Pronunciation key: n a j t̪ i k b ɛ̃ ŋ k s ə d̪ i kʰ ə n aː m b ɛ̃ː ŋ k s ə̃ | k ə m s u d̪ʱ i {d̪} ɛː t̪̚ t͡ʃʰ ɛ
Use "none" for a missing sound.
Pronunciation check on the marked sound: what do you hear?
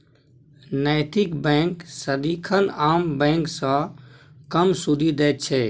d̪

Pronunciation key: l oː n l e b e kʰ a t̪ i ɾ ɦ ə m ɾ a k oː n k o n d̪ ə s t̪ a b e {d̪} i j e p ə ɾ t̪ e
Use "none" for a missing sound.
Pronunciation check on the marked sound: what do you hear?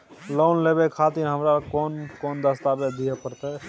d̪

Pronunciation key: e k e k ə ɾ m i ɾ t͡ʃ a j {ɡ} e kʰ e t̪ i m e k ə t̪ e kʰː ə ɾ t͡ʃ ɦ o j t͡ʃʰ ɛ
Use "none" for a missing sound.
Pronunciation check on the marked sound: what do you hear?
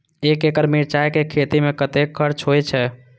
k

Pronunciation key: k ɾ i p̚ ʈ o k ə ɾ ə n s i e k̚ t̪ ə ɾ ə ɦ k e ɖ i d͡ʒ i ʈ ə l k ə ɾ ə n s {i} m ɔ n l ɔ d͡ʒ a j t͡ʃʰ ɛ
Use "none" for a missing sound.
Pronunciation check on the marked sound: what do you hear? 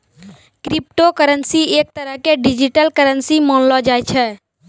i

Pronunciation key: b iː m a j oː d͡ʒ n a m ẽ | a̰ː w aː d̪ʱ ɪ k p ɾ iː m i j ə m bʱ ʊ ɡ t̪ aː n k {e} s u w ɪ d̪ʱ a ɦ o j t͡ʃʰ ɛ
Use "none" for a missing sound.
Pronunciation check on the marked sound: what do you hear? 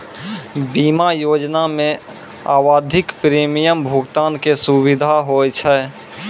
e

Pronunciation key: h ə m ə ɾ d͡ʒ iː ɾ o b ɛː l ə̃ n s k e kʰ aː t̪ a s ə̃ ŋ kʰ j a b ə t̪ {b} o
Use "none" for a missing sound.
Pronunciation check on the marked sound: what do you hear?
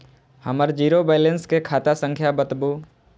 b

